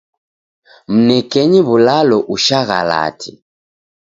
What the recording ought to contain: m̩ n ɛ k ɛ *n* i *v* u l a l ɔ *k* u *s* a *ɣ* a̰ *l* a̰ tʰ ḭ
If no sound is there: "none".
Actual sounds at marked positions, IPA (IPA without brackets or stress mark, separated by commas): ɲ, β, ʔ, ʃ, ɣ, l